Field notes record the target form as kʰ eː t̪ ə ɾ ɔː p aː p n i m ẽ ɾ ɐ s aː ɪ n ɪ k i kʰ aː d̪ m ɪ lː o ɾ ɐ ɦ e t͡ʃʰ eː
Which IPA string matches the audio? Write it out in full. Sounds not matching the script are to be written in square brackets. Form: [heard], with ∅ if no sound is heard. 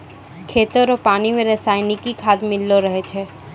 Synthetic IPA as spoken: kʰ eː t̪ ə ɾ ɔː p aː [∅] n i m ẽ ɾ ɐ s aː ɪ n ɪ k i kʰ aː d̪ m ɪ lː o ɾ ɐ ɦ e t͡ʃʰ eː